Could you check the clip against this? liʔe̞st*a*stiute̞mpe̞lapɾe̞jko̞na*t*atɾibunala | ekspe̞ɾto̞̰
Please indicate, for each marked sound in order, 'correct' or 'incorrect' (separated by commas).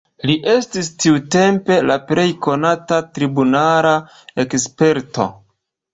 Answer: incorrect, correct